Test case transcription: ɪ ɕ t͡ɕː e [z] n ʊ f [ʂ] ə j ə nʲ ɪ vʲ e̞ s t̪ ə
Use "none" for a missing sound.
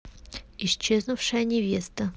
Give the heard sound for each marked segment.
z, ʂ

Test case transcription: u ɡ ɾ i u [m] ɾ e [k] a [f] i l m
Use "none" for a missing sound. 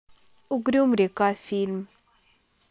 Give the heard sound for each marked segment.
m, k, f

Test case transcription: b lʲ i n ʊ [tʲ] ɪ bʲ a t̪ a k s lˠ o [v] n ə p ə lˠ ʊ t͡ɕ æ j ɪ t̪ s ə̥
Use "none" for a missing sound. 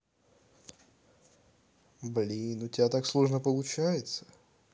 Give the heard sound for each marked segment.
tʲ, ʐ

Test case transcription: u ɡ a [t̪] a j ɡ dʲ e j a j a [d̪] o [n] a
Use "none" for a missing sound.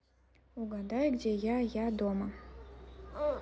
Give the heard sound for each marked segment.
d̪, d̪, m

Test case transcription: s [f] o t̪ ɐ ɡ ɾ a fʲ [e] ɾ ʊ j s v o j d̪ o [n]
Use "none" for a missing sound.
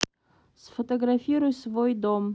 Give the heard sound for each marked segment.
f, i, m

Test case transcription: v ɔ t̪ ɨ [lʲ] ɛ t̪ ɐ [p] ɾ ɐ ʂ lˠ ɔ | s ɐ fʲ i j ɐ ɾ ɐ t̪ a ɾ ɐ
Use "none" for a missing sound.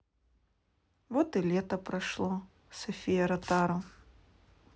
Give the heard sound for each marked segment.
lʲ, p

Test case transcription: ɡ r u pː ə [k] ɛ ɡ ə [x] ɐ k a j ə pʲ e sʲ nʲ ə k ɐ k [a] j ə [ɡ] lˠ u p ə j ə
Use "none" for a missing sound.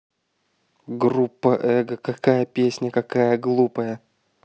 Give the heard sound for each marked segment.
ʔ, k, a, ɡ

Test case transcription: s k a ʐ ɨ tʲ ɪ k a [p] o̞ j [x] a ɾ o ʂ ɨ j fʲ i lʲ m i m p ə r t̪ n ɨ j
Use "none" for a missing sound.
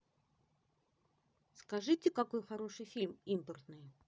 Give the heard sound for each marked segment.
k, x

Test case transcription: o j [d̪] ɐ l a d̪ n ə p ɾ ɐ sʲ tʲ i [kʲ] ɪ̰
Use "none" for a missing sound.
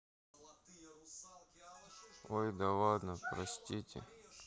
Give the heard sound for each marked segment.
d̪, tʲ

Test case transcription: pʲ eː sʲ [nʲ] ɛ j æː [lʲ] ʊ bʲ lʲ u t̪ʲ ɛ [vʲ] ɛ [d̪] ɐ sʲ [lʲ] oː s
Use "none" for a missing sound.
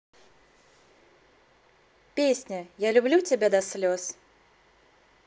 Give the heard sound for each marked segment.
nʲ, lʲ, bʲ, d̪, lʲ

